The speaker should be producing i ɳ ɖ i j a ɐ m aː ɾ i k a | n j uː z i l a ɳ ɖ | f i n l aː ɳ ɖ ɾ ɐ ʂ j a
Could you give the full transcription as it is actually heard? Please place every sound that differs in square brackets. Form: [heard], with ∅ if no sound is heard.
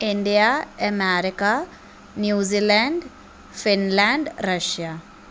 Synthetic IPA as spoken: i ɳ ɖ i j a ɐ m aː ɾ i k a | n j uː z i l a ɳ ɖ | f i n l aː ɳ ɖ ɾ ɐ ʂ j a